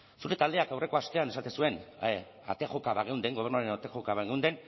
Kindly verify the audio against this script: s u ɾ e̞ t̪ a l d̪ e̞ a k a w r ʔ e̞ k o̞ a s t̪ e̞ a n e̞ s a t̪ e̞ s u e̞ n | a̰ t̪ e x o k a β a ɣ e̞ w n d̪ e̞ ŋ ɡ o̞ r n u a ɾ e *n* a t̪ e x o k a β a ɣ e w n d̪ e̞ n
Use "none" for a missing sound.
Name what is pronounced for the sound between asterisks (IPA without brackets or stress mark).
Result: n